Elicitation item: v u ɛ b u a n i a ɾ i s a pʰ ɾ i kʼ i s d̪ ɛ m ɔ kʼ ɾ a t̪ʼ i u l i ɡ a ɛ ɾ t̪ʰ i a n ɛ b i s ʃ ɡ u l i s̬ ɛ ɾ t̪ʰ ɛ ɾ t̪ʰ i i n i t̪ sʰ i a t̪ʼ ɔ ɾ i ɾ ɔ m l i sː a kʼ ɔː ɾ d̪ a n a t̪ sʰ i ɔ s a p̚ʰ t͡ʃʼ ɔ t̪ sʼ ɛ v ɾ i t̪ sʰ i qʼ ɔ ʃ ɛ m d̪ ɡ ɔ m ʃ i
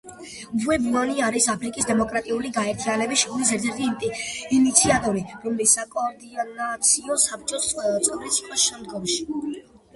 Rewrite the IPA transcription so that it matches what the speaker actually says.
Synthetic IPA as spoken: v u ɛ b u a n i a ɾ i s a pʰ ɾ i kʼ i s d̪ ɛ m ɔ kʼ ɾ a t̪ʼ i u l i ɡ a ɛ ɾ t̪ʰ i a n ɛ b i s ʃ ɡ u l i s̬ ɛ ɾ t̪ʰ ɛ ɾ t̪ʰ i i n i t̪ sʰ i a t̪ʼ ɔ ɾ i ɾ ɔ m l i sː a kʼ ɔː ɾ d̪ i n a t̪ sʰ i ɔ s a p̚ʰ t͡ʃʼ ɔ t̪ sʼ ɛ v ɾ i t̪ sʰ i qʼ ɔ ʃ ɛ m d̪ ɡ ɔ m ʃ i